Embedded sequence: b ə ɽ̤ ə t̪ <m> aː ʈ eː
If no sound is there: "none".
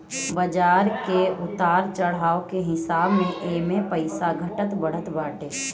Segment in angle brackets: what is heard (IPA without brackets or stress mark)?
b